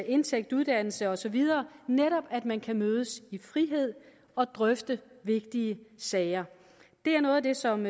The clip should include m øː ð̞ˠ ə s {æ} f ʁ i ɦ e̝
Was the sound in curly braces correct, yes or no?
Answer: no